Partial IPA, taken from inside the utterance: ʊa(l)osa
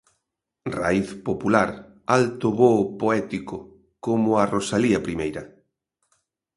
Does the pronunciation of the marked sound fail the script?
yes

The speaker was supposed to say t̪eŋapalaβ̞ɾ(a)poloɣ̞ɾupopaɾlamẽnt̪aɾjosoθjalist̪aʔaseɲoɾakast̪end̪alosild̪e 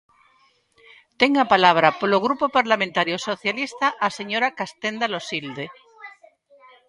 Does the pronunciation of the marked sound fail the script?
no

